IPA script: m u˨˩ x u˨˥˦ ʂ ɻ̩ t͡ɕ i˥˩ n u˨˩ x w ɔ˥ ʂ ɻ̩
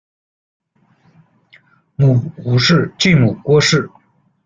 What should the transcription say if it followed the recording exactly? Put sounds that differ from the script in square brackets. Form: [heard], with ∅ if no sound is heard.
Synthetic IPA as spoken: m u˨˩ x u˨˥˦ ʂ ɻ̩ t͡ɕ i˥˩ [m] u˨˩ [k] w ɔ˥ ʂ ɻ̩